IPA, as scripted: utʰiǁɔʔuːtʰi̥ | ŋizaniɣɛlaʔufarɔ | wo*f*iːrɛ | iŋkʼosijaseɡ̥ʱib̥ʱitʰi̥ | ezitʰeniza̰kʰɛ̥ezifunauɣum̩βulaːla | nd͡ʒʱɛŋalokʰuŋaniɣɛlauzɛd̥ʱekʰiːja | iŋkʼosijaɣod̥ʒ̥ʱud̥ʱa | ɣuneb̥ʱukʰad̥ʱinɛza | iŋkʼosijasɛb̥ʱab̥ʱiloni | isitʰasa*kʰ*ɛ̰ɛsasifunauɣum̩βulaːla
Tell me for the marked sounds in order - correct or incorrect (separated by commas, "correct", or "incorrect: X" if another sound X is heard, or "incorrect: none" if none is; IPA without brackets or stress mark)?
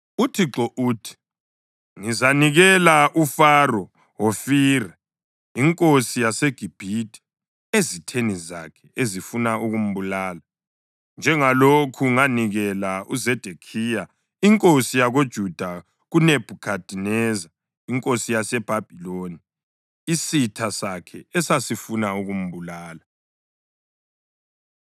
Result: correct, correct